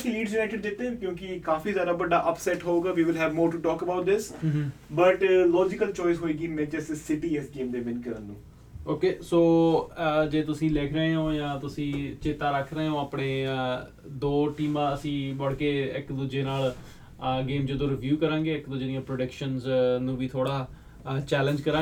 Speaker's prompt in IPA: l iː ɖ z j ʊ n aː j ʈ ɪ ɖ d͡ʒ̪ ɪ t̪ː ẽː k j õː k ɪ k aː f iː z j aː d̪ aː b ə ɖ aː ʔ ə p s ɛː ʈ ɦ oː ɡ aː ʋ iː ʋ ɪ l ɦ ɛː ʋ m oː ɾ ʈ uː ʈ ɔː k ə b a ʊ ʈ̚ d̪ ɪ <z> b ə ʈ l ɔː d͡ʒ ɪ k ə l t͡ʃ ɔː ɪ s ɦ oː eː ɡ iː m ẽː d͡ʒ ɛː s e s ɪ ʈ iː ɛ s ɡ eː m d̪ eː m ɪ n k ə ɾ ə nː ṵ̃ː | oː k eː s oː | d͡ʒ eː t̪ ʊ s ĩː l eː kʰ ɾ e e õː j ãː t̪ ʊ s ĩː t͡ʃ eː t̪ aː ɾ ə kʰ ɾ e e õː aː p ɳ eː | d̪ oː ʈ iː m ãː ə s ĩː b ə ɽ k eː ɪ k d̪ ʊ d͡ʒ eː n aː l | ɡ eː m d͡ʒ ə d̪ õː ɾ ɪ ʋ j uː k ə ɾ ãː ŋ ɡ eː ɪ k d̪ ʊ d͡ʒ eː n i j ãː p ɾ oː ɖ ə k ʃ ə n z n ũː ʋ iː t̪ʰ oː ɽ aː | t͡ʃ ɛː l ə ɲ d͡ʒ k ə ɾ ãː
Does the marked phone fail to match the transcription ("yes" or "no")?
yes